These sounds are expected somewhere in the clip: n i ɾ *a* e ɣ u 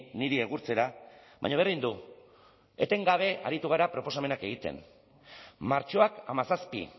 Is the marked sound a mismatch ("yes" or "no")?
yes